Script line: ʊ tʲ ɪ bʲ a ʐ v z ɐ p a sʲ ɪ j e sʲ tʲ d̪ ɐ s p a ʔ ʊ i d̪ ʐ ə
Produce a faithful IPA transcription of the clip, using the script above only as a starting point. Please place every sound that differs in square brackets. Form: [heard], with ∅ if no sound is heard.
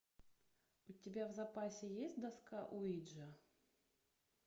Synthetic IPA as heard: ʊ tʲ ɪ bʲ a [∅] v z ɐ p a sʲ ɪ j e sʲ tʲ d̪ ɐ s [k] a ʔ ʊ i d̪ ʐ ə